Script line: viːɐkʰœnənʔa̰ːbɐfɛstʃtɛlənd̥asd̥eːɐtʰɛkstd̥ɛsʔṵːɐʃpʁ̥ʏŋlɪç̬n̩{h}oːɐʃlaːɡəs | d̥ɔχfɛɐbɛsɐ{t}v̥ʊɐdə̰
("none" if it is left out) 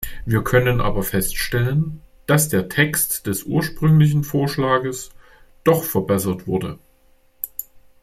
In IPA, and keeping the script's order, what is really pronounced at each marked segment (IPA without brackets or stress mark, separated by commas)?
f, t